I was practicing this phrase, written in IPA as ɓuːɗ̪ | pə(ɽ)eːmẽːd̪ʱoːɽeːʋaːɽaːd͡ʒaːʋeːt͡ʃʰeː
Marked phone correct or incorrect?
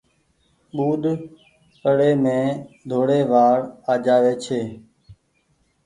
correct